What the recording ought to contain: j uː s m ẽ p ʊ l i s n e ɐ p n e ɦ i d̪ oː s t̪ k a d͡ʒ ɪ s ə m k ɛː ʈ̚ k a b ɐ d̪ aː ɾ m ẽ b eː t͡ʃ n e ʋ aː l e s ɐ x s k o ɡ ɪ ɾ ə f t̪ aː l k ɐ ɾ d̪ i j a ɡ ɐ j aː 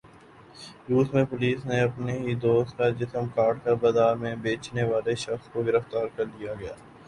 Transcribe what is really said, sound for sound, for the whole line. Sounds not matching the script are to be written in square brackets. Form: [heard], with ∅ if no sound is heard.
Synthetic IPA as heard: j uː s m ẽ p ʊ l [iː] s n e ɐ p n e ɦ i d̪ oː s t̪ k a d͡ʒ ɪ s ə m k [aː] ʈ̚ k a b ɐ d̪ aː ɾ m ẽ b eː t͡ʃ n e ʋ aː l e [ʃ] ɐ x s k o ɡ ɪ ɾ ə f t̪ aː [ɾ] k ɐ ɾ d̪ i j a ɡ ɐ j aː